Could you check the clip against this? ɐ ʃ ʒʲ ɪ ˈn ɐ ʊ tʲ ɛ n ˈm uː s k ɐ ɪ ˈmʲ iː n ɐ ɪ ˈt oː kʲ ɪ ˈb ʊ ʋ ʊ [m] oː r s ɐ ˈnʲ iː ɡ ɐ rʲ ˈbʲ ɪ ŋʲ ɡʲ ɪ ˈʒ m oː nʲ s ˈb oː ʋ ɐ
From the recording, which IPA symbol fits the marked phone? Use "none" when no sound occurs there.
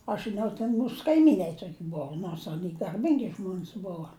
n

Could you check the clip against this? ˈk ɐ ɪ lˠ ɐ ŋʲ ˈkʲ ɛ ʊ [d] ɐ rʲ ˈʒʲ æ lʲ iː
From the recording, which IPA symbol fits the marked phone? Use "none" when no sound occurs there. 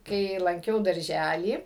d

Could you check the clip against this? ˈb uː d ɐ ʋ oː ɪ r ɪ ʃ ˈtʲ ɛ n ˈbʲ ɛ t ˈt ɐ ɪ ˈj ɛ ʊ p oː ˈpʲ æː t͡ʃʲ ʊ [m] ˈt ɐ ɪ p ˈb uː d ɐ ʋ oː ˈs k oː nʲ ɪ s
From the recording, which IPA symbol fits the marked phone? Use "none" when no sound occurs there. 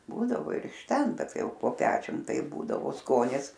m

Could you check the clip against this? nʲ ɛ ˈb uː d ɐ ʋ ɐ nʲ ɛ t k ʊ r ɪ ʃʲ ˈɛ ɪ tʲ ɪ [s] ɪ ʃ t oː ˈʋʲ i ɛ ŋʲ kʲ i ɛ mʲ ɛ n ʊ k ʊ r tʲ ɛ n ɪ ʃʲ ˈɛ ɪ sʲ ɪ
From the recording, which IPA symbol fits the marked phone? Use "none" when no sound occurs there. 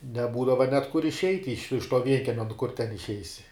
ʃ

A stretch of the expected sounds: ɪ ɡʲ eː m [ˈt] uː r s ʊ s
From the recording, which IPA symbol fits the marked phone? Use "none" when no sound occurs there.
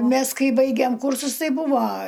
k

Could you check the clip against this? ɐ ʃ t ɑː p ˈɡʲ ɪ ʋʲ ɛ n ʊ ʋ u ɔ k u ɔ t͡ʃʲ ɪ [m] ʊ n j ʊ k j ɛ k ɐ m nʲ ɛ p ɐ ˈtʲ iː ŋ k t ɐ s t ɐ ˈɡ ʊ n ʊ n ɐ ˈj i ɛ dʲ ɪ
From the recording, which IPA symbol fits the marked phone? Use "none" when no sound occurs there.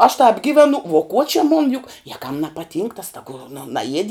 m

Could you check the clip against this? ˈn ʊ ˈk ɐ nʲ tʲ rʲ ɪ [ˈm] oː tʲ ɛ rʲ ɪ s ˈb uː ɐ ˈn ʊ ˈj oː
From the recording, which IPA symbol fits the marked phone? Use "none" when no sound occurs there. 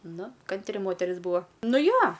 m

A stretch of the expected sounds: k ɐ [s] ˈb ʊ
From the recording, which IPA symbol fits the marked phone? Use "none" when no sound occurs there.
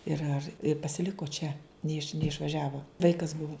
s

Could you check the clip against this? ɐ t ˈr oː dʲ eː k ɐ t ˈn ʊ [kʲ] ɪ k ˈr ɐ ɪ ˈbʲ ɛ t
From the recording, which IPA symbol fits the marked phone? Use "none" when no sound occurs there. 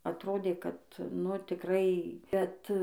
tʲ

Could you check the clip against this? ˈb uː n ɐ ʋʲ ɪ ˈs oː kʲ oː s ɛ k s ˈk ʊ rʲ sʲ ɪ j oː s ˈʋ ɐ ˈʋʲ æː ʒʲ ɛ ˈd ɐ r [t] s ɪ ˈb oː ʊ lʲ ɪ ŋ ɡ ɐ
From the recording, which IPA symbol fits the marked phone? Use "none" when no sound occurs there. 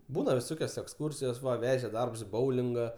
p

